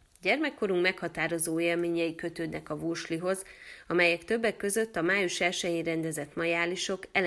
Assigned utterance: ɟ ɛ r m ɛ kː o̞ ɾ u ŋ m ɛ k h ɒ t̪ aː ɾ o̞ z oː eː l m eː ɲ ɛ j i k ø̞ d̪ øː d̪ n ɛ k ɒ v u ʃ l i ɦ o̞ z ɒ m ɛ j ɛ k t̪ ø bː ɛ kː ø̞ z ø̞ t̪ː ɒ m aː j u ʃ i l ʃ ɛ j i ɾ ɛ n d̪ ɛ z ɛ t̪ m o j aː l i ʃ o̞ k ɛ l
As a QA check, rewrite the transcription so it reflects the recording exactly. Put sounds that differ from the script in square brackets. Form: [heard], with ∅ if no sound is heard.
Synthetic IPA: ɟ ɛ r m ɛ kː o̞ ɾ u ŋ m ɛ k h ɒ t̪ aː ɾ o̞ z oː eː l m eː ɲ ɛ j i k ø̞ [t̪] øː d̪ n ɛ k ɒ v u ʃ l i ɦ o̞ z ɒ m ɛ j ɛ k t̪ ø bː ɛ kː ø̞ z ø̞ t̪ː ɒ m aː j u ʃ [ɛ] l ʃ ɛ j i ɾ ɛ n d̪ ɛ z ɛ t̪ m [ɒ] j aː l i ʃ o̞ k ɛ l